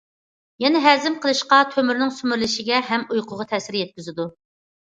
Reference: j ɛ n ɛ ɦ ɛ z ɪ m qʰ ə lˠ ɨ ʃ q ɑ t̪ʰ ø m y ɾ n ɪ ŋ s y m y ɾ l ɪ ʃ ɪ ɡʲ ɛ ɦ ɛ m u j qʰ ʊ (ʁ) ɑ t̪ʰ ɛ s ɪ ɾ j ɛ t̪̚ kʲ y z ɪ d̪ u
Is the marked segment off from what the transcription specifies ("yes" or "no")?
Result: no